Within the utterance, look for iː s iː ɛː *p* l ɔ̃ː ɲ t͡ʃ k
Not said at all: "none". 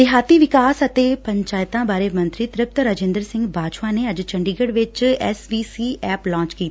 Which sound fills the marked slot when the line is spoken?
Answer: p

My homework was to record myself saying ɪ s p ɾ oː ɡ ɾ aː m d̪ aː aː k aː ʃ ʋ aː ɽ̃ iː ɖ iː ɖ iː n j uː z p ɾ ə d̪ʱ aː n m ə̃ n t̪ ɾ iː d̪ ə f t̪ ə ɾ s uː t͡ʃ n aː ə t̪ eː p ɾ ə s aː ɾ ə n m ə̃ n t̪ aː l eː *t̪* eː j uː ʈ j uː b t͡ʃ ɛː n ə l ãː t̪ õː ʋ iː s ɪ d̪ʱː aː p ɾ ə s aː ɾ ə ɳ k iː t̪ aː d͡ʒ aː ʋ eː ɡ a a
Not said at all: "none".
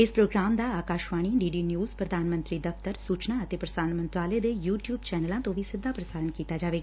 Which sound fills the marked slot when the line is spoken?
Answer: d̪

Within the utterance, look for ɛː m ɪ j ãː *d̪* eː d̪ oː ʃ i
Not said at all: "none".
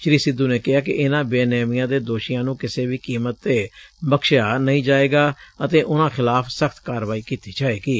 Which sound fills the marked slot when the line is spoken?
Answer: d̪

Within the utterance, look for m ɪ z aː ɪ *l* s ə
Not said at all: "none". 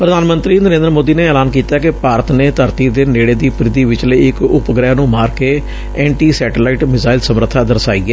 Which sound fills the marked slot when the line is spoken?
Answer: l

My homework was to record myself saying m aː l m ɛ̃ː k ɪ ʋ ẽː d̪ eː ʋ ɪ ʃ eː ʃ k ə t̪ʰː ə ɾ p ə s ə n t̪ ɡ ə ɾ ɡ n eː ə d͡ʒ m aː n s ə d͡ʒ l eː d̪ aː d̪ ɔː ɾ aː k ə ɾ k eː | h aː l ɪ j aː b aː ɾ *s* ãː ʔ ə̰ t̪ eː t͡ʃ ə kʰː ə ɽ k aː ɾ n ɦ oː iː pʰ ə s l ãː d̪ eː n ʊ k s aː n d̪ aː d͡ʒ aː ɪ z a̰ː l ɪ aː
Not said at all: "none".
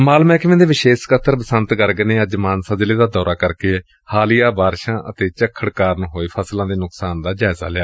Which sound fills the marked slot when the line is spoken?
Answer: ʃ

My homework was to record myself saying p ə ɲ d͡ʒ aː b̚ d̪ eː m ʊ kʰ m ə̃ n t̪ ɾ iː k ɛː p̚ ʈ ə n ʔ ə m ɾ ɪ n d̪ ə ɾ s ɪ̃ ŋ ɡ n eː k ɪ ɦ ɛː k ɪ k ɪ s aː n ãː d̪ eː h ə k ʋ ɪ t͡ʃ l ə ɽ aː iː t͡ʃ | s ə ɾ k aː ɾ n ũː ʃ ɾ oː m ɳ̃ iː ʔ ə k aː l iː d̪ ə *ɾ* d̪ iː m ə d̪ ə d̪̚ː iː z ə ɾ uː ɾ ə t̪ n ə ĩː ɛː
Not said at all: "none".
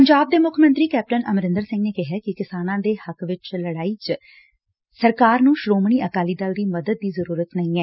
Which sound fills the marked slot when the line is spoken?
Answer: l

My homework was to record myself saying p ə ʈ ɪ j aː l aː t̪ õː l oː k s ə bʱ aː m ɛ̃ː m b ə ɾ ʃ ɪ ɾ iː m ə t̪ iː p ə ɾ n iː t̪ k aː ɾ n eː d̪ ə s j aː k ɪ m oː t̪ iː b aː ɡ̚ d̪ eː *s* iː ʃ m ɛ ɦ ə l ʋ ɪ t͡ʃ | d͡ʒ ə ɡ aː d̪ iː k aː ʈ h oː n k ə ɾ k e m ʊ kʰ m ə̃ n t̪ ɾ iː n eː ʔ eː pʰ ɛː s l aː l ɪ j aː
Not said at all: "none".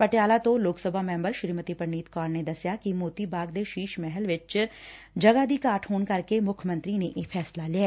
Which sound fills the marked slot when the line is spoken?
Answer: ʃ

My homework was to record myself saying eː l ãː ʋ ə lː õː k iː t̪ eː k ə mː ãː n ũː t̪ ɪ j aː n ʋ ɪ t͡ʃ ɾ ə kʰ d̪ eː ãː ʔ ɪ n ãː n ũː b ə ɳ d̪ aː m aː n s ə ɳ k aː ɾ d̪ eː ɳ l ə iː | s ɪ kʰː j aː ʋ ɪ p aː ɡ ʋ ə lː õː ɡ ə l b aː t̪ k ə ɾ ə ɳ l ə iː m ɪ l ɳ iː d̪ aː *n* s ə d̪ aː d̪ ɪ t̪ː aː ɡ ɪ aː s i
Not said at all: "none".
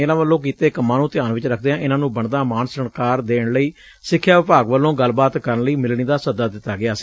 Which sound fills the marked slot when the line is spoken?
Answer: none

